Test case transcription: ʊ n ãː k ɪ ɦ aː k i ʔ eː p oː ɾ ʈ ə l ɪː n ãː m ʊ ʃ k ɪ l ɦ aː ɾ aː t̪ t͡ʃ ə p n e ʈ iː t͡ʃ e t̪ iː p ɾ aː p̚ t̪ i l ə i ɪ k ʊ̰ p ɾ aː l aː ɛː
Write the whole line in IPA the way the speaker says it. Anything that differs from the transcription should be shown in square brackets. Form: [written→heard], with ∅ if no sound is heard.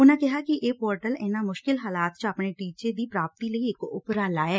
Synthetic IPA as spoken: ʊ n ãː k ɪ ɦ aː k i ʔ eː p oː ɾ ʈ ə l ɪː n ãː m ʊ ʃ k ɪ l ɦ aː [ɾ→l] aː t̪ t͡ʃ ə p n e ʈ iː t͡ʃ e [t̪→d̪] iː p ɾ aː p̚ t̪ i l ə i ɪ k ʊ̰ p ɾ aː l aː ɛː